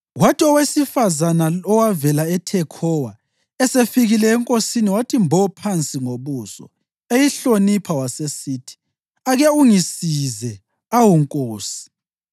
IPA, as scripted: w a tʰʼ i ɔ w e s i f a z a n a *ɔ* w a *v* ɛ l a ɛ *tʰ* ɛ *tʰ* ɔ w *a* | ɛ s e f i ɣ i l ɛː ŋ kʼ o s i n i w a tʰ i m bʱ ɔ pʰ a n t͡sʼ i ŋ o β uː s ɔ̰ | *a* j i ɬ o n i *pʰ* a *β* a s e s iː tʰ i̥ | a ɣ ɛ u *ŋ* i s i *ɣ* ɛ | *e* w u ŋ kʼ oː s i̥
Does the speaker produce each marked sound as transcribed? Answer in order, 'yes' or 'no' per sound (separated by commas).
yes, yes, yes, no, yes, no, yes, no, yes, no, no